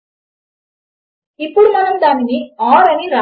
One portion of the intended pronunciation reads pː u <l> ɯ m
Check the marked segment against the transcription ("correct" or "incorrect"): incorrect